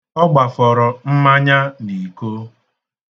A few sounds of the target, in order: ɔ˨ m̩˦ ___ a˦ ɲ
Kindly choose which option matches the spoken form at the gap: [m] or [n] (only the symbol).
m